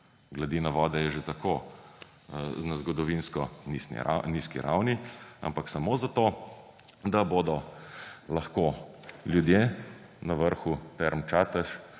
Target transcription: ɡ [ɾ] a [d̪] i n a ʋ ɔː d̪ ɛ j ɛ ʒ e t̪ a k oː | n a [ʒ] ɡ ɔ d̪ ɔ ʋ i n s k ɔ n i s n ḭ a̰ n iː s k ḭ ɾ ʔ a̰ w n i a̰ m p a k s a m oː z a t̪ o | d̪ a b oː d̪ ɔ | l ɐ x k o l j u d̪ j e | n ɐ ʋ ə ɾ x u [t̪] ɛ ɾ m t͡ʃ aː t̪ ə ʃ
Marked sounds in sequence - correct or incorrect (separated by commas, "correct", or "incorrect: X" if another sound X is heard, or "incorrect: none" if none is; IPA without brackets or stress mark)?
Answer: incorrect: l, correct, incorrect: z, correct